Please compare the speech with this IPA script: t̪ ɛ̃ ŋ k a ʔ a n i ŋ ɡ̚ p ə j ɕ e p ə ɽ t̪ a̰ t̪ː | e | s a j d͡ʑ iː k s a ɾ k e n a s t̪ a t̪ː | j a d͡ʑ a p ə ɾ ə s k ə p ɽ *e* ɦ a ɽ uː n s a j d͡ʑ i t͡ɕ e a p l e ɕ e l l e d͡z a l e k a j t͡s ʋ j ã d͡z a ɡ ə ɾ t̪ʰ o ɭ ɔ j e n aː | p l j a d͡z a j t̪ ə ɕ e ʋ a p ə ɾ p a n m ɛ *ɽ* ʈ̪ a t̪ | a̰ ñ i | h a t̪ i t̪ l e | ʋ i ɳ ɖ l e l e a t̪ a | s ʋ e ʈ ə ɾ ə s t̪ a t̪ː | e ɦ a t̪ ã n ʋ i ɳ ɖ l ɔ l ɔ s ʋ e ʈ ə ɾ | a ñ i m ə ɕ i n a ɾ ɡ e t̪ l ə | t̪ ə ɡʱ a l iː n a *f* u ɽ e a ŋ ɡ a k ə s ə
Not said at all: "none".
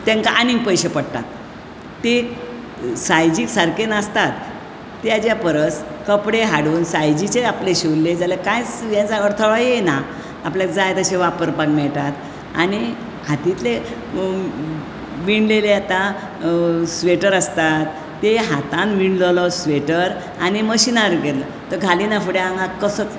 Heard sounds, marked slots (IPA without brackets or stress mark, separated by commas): e, ɭ, f